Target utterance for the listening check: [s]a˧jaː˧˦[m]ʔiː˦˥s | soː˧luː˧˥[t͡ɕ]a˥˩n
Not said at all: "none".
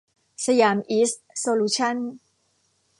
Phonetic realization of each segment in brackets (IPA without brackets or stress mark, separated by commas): s, m, t͡ɕʰ